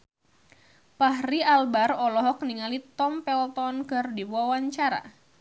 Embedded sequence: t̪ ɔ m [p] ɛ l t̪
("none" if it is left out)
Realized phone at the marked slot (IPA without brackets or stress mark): p